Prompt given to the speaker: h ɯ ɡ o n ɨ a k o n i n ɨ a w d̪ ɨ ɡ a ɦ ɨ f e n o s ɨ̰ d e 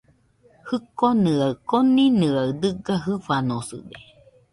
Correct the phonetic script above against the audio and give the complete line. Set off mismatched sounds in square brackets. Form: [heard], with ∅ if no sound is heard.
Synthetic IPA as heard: h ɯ [k] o n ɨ a k o n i n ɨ a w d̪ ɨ ɡ a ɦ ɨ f [a] n o s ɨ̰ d e